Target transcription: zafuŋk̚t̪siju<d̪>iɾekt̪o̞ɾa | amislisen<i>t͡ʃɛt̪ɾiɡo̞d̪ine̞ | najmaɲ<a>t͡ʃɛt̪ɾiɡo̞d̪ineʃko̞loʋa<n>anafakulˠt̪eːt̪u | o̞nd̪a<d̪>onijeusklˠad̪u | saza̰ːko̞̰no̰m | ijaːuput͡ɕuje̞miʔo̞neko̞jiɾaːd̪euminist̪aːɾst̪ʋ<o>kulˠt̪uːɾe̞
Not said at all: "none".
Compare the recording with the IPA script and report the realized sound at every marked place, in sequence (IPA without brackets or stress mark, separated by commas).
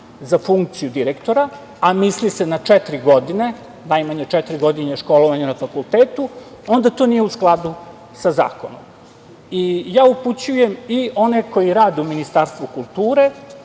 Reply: d̪, a, e, ɲ, t̪, u